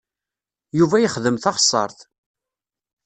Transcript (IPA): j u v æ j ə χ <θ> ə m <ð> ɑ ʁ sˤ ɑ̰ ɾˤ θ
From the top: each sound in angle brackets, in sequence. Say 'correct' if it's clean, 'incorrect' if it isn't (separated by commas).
incorrect, incorrect